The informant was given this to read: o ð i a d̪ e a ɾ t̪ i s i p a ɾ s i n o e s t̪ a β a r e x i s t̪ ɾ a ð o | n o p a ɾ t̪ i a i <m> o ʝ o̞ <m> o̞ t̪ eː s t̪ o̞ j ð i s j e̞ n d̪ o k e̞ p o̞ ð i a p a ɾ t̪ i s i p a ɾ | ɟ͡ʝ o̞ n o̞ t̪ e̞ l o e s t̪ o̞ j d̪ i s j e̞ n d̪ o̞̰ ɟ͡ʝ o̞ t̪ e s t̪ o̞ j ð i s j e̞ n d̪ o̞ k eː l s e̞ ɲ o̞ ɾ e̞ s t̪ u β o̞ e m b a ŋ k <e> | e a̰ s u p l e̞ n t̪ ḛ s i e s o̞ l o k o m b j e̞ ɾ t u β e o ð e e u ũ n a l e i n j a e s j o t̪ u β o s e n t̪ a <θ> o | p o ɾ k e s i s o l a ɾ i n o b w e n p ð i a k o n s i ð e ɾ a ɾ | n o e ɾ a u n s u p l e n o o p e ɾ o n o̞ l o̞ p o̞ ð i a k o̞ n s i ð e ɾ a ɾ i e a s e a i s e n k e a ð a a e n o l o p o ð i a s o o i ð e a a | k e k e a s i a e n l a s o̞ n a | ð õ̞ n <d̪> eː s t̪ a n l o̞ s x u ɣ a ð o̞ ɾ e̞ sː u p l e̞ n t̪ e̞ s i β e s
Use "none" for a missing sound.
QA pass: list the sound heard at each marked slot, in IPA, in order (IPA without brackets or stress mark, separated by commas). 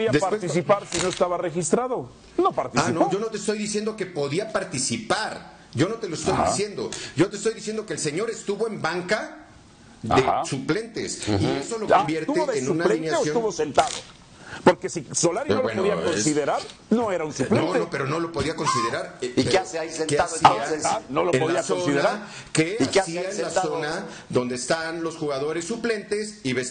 n, n, a, ð, d̪